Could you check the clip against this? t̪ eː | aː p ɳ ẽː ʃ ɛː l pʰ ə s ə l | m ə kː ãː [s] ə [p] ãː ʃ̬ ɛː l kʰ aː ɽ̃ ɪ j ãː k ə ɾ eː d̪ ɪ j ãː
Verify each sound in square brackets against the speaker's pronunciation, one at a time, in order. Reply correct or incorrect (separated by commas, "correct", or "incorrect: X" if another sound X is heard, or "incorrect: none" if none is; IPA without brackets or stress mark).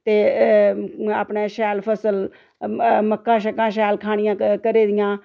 incorrect: ʃ, incorrect: k